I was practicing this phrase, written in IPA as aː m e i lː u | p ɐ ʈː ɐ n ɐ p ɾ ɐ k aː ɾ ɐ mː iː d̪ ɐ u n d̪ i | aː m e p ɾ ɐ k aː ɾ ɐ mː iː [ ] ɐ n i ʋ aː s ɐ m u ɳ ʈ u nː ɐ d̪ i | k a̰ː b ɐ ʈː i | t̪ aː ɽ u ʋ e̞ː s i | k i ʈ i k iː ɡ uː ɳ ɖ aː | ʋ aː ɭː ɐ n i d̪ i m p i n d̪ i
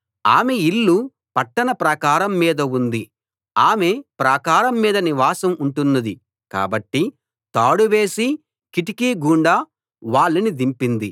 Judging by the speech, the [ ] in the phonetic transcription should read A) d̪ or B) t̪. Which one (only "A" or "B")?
A